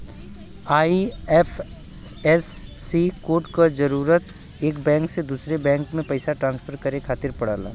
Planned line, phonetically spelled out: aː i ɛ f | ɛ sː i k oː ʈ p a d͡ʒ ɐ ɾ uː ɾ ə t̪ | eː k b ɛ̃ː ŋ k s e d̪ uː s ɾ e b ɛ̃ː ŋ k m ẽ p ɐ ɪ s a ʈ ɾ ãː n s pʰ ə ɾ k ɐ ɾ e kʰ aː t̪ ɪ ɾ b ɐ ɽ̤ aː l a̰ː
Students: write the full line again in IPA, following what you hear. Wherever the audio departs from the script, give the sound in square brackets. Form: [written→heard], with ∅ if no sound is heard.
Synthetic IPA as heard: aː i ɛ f | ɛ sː i k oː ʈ [p→k] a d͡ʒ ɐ ɾ uː ɾ ə t̪ | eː k b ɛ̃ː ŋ k s e d̪ uː s ɾ e b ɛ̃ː ŋ k m ẽ p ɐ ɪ s a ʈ ɾ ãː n s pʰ ə ɾ k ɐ ɾ e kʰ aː t̪ ɪ ɾ [b→p] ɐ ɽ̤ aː l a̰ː